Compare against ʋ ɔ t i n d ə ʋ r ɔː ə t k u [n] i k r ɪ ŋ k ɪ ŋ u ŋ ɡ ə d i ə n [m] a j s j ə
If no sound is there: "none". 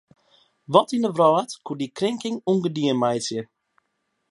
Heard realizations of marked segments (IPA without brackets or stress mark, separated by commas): d, m